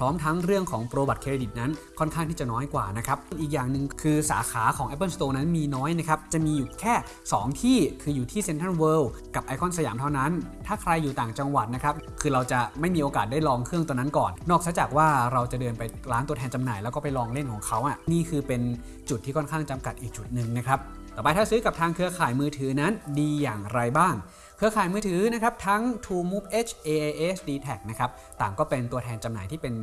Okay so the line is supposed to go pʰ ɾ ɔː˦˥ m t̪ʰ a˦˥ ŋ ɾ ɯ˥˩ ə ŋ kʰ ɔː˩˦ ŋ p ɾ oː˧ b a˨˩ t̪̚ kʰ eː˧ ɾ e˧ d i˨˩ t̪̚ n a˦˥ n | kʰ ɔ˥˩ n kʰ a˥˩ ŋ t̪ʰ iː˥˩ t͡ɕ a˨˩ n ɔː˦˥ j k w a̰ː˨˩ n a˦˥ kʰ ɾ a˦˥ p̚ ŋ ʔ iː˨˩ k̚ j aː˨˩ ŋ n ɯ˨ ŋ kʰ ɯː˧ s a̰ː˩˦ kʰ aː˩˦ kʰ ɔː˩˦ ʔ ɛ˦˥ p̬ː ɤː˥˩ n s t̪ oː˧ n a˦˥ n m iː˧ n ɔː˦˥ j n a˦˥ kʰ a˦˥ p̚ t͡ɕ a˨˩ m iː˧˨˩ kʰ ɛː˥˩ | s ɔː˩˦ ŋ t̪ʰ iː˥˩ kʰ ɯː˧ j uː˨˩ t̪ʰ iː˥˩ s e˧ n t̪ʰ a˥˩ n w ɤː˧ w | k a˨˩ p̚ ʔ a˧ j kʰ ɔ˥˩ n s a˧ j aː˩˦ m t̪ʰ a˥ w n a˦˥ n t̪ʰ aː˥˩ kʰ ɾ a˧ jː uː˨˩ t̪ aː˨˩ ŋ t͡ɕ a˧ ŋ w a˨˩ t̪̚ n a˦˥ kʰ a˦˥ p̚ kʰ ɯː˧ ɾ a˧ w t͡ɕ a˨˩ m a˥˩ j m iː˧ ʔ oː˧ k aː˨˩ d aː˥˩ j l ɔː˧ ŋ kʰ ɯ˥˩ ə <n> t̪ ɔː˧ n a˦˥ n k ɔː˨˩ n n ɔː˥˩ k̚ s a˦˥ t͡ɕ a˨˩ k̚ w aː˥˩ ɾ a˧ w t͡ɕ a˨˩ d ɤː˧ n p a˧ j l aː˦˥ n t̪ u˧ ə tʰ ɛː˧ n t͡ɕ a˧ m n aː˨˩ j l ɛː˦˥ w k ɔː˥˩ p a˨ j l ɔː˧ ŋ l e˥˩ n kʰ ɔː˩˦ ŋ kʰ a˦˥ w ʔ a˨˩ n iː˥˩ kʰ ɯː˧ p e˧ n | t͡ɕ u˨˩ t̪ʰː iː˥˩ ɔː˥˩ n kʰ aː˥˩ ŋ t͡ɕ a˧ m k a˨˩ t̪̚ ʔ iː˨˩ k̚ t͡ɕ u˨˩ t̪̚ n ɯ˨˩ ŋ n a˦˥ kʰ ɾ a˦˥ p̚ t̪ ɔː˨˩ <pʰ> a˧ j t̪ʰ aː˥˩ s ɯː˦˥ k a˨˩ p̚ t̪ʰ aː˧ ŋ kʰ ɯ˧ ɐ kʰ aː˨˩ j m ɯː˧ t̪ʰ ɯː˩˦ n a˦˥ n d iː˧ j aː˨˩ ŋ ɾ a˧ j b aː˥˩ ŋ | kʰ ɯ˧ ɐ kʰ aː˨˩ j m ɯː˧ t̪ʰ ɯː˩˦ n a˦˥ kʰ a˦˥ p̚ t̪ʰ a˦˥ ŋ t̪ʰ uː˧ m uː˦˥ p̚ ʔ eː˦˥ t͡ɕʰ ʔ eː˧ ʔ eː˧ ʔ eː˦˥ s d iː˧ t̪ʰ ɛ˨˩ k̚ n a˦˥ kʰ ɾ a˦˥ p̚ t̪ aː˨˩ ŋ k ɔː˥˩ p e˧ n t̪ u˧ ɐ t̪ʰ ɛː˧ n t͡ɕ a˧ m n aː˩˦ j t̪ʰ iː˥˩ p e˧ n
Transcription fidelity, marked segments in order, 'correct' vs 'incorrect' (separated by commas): incorrect, incorrect